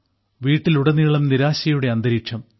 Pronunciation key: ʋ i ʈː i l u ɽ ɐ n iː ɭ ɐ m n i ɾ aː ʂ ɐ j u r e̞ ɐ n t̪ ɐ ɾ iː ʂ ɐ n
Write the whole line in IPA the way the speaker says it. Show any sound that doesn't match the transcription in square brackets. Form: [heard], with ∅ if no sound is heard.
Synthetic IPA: ʋ [iː] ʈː i l u ɽ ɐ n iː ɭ ɐ m n i ɾ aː [ɕ] ɐ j u [ɽ] e̞ ɐ n [d̪] ɐ ɾ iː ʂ ɐ [m]